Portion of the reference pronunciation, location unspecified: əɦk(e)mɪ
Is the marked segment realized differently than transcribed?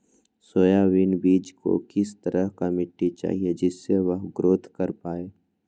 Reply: yes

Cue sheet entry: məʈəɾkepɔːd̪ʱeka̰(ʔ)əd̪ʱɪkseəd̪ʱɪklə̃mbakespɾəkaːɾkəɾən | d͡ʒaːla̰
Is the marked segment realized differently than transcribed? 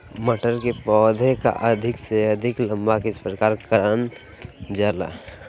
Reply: no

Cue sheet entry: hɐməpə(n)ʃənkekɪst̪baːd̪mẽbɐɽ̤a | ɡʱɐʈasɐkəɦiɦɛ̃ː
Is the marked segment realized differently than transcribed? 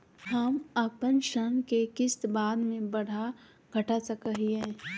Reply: no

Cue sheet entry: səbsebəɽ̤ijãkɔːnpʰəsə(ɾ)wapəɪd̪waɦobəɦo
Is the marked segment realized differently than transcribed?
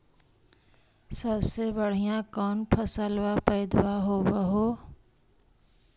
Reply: yes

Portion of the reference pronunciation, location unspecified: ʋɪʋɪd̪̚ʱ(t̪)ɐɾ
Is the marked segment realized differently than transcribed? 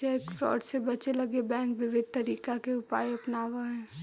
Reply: no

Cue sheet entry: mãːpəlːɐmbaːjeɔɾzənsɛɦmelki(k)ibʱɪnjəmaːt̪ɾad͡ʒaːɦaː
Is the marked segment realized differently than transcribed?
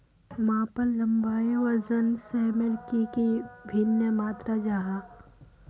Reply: no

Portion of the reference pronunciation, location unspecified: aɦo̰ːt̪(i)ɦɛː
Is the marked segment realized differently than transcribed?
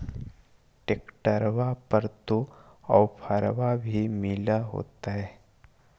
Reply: yes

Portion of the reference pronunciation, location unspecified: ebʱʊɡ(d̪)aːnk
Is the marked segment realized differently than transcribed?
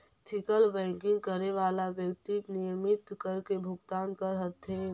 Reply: yes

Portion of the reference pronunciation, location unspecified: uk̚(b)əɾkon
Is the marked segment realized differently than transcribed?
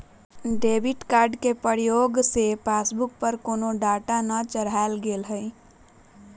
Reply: yes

